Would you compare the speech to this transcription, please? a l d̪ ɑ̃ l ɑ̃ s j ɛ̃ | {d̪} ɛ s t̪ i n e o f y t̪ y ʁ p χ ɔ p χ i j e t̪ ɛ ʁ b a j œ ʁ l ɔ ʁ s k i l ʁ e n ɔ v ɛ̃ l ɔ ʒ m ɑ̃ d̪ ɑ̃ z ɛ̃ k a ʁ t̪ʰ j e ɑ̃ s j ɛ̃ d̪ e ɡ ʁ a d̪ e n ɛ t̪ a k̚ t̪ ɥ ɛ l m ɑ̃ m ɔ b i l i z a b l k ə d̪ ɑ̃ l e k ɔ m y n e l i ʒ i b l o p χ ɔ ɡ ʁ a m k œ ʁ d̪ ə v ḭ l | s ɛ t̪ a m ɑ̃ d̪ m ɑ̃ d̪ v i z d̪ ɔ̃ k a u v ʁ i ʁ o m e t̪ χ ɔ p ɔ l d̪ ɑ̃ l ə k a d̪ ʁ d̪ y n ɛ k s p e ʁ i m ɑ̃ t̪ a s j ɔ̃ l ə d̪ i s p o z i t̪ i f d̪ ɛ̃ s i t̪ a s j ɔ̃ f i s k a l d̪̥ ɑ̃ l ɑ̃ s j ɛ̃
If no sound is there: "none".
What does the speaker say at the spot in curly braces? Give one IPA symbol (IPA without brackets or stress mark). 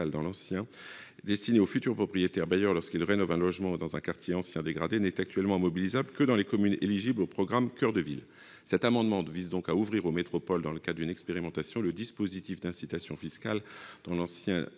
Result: d̪